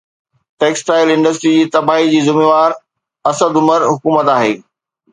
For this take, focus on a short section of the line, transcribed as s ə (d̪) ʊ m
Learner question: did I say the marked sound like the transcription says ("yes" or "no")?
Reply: yes